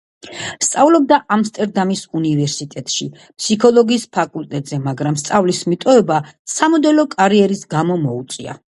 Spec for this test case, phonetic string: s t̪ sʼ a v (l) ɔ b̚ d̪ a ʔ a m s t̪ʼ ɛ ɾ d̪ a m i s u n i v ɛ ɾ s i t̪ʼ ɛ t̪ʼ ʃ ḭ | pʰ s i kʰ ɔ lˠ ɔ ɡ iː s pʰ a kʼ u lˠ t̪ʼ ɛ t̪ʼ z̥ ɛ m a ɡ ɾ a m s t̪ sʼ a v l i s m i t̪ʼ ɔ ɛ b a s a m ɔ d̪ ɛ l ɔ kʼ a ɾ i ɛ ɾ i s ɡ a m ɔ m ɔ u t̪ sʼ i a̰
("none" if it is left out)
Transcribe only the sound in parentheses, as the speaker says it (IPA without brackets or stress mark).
l